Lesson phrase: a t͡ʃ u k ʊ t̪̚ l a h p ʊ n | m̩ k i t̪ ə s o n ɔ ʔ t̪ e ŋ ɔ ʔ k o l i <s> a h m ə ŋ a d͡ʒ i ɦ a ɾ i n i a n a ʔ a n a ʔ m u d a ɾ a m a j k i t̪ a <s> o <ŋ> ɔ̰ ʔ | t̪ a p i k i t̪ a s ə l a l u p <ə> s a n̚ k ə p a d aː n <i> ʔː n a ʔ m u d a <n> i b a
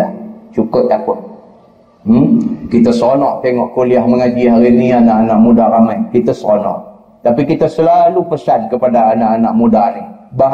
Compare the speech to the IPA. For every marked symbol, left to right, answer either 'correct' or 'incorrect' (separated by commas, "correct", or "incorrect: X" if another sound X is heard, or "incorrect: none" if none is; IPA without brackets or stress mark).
incorrect: none, correct, incorrect: n, correct, incorrect: a, correct